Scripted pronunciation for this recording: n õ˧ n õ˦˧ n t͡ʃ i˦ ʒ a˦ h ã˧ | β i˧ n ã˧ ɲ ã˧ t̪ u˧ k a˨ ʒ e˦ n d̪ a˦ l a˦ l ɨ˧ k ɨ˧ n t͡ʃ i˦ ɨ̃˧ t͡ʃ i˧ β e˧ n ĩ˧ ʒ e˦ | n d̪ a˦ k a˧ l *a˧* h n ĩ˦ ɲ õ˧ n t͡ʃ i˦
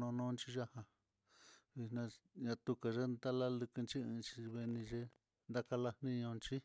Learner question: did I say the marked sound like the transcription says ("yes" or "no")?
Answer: yes